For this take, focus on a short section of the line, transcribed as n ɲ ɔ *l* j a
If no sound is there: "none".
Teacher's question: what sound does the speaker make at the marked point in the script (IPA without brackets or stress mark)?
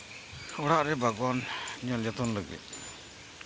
l